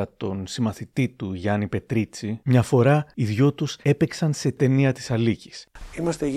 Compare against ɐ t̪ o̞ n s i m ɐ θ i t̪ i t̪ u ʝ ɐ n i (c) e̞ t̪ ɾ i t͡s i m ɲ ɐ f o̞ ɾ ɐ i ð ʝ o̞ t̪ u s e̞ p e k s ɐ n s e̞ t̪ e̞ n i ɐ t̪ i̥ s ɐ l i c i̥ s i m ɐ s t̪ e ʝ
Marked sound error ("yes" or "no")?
yes